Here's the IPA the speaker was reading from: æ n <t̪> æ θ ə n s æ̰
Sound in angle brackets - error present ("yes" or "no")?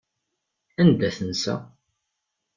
yes